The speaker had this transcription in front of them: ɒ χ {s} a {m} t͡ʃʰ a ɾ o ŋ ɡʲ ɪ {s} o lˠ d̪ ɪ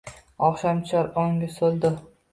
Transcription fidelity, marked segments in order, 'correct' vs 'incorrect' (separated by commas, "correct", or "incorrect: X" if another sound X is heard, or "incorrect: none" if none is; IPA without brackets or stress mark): incorrect: ʃ, correct, correct